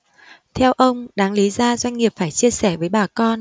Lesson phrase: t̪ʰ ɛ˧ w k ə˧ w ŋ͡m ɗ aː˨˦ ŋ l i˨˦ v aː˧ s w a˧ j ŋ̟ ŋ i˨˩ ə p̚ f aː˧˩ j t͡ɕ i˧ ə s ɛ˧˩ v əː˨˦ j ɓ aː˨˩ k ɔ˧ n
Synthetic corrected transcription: t̪ʰ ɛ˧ w ʔ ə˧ w ŋ͡m ɗ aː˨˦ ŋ l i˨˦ z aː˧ z w a˧ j ŋ̟ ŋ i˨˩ ə p̚ f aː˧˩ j t͡ɕ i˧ ə s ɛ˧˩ v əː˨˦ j ɓ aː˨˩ k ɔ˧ n